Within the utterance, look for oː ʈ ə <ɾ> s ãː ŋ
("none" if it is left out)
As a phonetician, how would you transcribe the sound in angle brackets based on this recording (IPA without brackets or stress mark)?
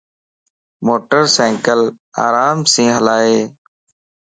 ɾ